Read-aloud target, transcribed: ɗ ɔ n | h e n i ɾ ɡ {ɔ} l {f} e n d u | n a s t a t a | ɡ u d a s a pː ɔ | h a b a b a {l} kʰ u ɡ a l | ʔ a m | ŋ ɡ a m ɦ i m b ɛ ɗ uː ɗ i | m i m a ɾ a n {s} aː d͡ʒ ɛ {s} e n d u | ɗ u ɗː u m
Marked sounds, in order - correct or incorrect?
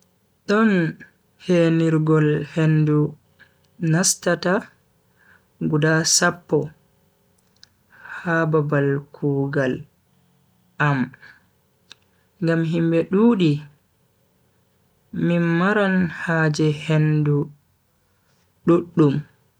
correct, incorrect, correct, incorrect, incorrect

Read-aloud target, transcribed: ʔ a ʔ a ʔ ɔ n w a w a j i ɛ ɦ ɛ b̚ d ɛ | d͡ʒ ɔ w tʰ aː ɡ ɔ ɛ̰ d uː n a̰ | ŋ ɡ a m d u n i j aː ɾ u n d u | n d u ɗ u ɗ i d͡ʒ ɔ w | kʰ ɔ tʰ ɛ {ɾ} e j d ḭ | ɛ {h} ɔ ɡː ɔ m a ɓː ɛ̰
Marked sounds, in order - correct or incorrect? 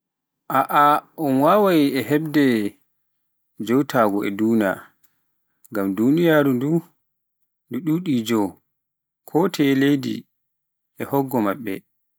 incorrect, correct

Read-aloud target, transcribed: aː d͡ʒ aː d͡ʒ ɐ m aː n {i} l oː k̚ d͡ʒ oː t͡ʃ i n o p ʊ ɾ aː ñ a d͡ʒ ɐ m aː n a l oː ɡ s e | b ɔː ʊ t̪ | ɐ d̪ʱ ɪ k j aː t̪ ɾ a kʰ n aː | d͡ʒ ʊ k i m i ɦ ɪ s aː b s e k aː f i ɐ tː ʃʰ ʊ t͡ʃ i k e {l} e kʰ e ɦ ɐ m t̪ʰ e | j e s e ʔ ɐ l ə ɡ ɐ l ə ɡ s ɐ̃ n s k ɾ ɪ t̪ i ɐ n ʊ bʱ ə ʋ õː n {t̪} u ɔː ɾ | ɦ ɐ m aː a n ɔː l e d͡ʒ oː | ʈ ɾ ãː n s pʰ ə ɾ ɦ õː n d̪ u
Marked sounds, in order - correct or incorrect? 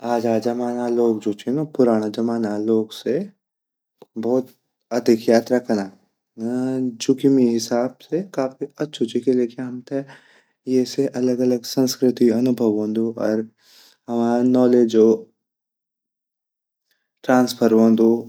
incorrect, correct, incorrect

